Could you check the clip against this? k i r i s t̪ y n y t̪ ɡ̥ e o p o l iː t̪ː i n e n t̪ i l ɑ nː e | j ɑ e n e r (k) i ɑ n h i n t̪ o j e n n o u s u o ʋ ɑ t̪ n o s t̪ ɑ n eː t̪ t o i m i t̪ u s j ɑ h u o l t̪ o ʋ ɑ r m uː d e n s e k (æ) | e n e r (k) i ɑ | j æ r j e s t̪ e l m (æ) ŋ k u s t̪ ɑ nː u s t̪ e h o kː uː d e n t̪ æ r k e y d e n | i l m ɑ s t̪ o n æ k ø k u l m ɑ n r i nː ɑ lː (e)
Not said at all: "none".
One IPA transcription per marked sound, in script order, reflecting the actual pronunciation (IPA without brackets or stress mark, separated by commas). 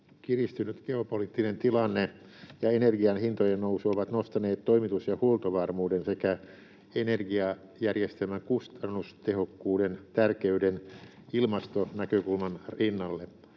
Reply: ɡ, æ, ɡ, æ, e